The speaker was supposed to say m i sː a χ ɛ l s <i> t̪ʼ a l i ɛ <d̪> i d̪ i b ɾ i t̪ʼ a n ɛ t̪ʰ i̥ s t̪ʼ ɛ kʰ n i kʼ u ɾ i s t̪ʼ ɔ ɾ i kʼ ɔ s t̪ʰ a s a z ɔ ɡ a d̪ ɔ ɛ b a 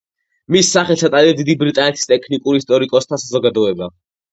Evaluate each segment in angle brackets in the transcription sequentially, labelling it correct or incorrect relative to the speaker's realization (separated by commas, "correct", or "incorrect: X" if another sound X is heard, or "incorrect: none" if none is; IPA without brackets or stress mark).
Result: incorrect: a, correct